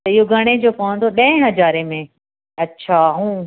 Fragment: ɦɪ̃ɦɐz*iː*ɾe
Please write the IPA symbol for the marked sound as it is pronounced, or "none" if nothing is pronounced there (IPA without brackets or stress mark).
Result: aː